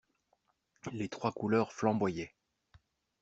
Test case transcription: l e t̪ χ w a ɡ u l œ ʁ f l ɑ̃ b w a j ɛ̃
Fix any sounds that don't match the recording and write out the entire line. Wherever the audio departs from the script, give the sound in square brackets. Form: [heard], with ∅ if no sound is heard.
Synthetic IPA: l e t̪ χ w a [k] u l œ ʁ f l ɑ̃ b w a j [ɛ]